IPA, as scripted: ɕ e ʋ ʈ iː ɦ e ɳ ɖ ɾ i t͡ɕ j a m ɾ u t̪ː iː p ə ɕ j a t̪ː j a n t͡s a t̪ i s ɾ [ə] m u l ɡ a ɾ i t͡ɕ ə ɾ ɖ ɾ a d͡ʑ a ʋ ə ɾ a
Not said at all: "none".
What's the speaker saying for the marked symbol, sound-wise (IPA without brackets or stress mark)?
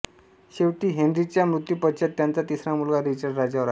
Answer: a